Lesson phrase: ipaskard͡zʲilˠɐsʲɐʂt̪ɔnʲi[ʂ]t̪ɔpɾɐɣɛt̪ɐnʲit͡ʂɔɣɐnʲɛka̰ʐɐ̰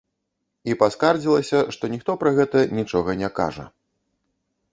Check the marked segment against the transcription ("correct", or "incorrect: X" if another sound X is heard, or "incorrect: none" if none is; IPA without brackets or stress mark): incorrect: x